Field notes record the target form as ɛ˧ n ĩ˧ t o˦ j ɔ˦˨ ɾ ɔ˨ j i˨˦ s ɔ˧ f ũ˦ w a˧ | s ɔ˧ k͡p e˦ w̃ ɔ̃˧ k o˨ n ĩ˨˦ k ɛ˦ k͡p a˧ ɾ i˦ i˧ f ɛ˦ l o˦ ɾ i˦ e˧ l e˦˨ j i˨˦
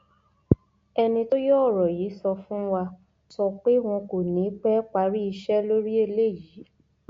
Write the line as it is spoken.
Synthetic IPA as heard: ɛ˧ n ĩ˧ t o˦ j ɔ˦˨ ɾ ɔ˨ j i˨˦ s ɔ˧ f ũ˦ w a˧ | s ɔ˧ k͡p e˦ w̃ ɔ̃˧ k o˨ n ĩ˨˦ k͡p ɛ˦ k͡p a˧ ɾ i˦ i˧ ʃ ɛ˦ l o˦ ɾ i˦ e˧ l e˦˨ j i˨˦